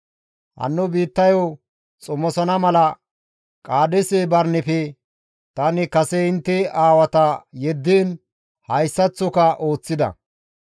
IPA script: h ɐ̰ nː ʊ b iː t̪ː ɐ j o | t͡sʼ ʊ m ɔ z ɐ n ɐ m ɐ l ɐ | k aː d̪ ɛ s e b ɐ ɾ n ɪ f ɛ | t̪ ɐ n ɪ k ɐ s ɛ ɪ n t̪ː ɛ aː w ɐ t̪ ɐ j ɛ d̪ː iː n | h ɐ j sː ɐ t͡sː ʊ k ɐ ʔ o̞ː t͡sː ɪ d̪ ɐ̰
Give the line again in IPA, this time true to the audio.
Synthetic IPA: h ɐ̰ nː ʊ b iː t̪ː ɐ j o | t͡sʼ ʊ m ɔ s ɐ n ɐ m ɐ l ɐ | kʼ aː d̪ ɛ s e b ɐ ɾ n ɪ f ɛ | t̪ ɐ n ɪ k ɐ s ɛ ɪ n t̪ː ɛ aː w ɐ t̪ ɐ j ɛ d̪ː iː n | h ɐ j sː ɐ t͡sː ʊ k ɐ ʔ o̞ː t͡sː ɪ d̪ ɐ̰

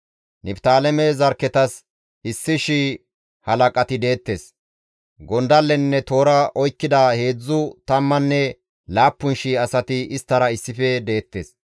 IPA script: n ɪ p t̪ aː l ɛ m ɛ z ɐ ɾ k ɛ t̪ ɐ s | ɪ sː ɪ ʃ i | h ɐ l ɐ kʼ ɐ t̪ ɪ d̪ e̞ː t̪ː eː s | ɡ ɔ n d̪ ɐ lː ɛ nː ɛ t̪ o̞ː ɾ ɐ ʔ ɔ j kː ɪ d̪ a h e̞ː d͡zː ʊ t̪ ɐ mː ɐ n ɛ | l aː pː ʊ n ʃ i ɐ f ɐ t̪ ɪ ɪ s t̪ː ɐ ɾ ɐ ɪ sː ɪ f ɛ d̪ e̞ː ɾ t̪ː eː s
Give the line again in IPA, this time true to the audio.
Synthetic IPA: n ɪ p t̪ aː l ɛ m ɛ z ɐ ɾ k ɛ t̪ ɐ s | ɪ sː ɪ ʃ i | h ɐ l ɐ kʼ ɐ t̪ ɪ d̪ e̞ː t̪ː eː s | ɡ ɔ n d̪ ɐ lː ɛ nː ɛ t̪ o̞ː ɾ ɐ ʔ ɔ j kː ɪ d̪ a h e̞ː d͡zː ʊ t̪ ɐ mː ɐ nː ɛ | l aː pː ʊ n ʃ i ɐ s ɐ t̪ ɪ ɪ s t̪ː ɐ ɾ ɐ ɪ sː ɪ f ɛ d̪ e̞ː t̪ː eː s

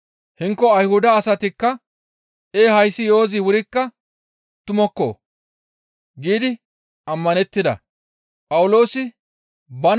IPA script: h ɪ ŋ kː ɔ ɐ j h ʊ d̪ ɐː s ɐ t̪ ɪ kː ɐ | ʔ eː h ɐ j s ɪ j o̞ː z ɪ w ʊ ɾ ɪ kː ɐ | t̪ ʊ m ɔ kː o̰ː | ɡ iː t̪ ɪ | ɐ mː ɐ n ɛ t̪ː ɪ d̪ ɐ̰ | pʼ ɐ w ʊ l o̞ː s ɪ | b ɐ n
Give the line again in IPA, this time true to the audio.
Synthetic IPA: h ɪ ŋ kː ɔ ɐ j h ʊ d̪ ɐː s ɐ t̪ ɪ kː ɐ | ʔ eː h ɐ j s ɪ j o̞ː z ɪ w ʊ ɾ ɪ kː ɐ | t̪ ʊ m ɔ kː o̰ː | ɡ iː d̪ ɪ | ɐ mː ɐ n ɛ t̪ː ɪ d̪ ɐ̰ | pʼ ɐ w ʊ l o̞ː s ɪ | b ɐ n

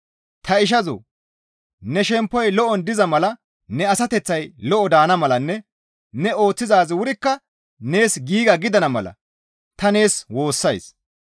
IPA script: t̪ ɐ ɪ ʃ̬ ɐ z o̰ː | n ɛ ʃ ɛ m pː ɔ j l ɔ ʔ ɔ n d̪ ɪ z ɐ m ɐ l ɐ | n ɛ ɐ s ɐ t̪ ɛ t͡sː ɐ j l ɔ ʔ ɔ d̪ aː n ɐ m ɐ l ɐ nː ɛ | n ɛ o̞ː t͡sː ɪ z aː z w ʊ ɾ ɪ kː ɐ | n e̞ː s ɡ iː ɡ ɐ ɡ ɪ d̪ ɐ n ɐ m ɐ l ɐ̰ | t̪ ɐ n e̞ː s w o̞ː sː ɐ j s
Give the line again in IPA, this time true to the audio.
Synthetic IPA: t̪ ɐ ɪ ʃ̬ ɐ z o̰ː | n ɛ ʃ ɛ m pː ɔ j l ɔ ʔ ɔ n d̪ ɪ z ɐ m ɐ l ɐ | n ɛ ɐ s ɐ t̪ ɛ t͡sː ɐ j l ɔ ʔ ɔ d̪ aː n ɐ m ɐ l ɐ nː ɛ | n ɛ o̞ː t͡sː ɪ z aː z w ʊ ɾ ɪ kː ɐ | n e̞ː s ɡ iː ɡ ɐ ɡ ɪ d̪ ɐ n ɐ m ɐ l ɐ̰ | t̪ ɐ n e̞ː s w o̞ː sː ɐ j s

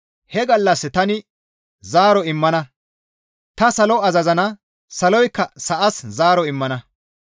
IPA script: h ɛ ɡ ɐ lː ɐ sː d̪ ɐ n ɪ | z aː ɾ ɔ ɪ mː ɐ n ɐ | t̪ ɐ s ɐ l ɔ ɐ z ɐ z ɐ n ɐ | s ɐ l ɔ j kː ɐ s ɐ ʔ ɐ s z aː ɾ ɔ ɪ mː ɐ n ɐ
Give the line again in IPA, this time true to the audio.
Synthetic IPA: h ɛ ɡ ɐ lː ɐ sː t̪ ɐ n ɪ | z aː ɾ ɔ ɪ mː ɐ n ɐ | t̪ ɐ s ɐ l ɔ ɐ z ɐ z ɐ n ɐ | s ɐ l ɔ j kː ɐ s ɐ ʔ ɐ s z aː ɾ ɔ ɪ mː ɐ n ɐ

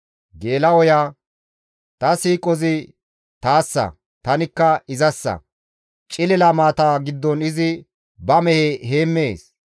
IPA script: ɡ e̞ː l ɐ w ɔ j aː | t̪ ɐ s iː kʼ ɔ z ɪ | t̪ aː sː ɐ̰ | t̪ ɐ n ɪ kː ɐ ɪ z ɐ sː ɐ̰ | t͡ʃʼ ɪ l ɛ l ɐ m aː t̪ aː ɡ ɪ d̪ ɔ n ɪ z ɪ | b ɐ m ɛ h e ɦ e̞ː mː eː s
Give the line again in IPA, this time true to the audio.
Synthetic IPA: ɡ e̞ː l ɐ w ɔ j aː | t̪ ɐ s iː kʼ ɔ z ɪ | t̪ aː sː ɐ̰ | t̪ ɐ n ɪ kː ɐ ɪ z ɐ sː ɐ̰ | t͡ʃʼ ɪ l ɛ l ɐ m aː t̪ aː ɡ ɪ d̪ː ɔ n ɪ z ɪ | b ɐ m ɛ h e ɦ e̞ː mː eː s

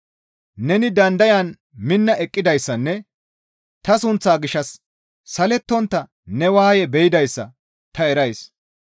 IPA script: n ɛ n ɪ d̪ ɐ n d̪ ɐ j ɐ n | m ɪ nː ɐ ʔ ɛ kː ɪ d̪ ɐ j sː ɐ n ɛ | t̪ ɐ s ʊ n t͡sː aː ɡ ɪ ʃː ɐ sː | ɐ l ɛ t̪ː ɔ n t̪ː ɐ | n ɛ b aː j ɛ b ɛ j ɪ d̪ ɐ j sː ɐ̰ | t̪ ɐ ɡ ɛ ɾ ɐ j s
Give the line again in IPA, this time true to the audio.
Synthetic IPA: n ɛ n ɪ d̪ ɐ n d̪ ɐ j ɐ n | m ɪ nː ɐ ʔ ɛ kʼː ɪ d̪ ɐ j sː ɐ nː ɛ | t̪ ɐ s ʊ n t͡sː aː ɡ ɪ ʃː ɐ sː | ɐ l ɛ t̪ː ɔ n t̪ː ɐ | n ɛ w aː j ɛ b ɛ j ɪ d̪ ɐ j sː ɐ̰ | t̪ ɐ ɛ ɾ ɐ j s

